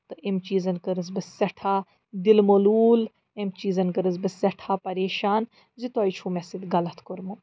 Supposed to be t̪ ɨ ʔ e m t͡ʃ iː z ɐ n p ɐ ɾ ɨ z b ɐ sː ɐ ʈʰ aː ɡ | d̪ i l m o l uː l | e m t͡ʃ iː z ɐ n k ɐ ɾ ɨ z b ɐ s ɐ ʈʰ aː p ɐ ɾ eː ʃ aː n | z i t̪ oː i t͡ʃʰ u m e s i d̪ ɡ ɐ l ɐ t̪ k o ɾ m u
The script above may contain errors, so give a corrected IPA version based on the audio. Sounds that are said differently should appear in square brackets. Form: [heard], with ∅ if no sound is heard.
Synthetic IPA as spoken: t̪ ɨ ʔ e m t͡ʃ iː z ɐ n [k] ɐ ɾ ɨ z b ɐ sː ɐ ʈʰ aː [∅] | d̪ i l m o l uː l | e m t͡ʃ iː z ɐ n k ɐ ɾ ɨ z b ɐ s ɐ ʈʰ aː p ɐ ɾ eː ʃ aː n | z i t̪ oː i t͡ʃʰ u m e s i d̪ ɡ ɐ l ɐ t̪ k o ɾ m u